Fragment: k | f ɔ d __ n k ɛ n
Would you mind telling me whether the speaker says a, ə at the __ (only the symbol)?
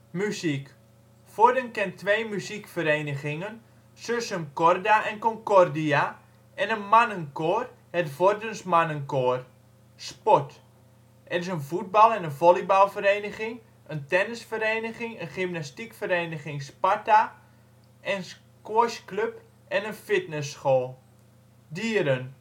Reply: ə